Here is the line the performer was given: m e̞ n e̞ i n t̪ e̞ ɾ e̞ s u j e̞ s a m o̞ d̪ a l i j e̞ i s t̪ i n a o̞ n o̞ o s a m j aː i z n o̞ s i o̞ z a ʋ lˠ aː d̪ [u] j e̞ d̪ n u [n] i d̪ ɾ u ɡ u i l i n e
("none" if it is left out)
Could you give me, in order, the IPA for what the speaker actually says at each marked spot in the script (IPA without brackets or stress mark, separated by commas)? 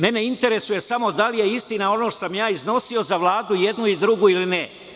u, none